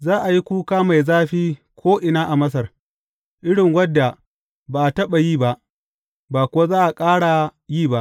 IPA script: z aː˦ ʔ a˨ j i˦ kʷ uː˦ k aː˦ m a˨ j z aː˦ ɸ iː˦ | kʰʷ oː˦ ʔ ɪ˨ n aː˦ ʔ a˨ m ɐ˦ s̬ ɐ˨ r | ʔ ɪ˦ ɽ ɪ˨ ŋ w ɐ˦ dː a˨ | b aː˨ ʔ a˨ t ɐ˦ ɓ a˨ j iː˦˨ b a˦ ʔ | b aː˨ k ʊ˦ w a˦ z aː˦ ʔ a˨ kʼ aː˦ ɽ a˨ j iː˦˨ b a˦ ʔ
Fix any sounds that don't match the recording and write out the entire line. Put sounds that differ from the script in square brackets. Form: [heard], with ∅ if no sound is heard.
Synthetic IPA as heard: z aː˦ ʔ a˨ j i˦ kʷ uː˦ k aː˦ m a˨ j z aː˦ ɸ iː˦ | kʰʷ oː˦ ʔ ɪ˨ n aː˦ ʔ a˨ m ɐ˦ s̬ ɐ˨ r | ʔ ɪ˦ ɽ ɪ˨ ŋ w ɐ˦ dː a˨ | b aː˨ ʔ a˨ t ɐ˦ ɓ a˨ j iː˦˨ b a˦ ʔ | b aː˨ k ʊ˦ w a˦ z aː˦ ʔ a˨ kʼ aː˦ ɽ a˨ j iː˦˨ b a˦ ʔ